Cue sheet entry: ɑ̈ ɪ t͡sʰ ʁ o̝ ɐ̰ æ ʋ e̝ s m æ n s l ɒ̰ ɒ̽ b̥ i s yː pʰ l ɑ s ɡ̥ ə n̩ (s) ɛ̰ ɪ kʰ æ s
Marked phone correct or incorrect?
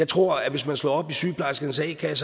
correct